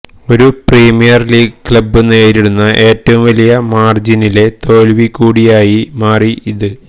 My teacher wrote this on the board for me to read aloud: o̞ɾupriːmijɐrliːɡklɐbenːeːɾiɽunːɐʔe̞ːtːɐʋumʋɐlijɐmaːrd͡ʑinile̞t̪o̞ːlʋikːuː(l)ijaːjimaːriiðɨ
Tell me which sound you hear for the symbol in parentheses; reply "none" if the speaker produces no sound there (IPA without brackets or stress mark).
ɽ